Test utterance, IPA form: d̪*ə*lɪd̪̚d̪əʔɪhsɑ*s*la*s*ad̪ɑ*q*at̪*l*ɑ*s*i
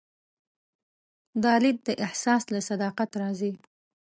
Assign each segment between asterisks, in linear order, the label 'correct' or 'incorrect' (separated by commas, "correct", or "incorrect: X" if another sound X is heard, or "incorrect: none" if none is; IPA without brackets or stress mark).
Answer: incorrect: ɑ, correct, correct, correct, incorrect: ɾ, incorrect: z